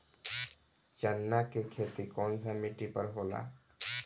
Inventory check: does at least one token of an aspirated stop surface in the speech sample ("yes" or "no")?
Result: yes